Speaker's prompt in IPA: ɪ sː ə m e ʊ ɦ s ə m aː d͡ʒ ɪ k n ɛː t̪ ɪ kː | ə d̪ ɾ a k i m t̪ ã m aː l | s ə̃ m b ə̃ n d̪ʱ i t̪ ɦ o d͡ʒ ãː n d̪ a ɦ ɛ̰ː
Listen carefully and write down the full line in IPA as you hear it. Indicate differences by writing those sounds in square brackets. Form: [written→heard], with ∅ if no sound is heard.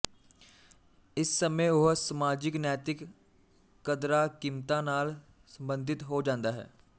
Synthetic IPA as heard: ɪ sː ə m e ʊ ɦ s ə m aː d͡ʒ ɪ k n ɛː t̪ ɪ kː | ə d̪ ɾ a k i m t̪ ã [m→n] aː l | s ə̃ m b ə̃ n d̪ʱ [i→ɪ] t̪ ɦ o d͡ʒ ãː n d̪ a ɦ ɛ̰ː